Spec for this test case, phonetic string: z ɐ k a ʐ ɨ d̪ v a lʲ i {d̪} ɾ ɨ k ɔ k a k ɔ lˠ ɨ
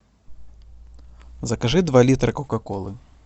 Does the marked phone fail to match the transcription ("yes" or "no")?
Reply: yes